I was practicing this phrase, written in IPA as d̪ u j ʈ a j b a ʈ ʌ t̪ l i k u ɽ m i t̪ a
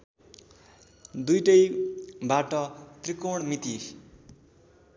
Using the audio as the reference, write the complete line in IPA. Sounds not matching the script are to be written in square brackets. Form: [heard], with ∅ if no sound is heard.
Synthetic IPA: d̪ u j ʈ [ʌ] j b a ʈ ʌ t̪ [r] i k [o] ɽ m i t̪ [i]